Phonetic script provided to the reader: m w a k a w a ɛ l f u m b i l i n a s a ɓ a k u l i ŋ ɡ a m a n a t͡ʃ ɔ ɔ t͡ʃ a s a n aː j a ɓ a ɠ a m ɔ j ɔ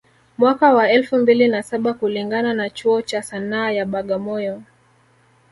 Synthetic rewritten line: m w a k a w a ɛ l f u m b i l i n a s a ɓ a k u l i ŋ ɡ a n a n a t͡ʃ u ɔ t͡ʃ a s a n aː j a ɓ a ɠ a m ɔ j ɔ